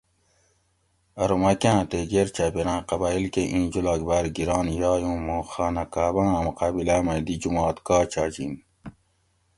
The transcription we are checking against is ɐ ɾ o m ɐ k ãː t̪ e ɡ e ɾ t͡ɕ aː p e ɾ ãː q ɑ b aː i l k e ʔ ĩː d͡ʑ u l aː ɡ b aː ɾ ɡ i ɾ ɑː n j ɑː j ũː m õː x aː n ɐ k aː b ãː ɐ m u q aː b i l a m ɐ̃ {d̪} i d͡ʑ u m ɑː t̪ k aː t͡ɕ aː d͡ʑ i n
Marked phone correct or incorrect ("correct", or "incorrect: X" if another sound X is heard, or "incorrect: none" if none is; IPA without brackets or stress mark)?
correct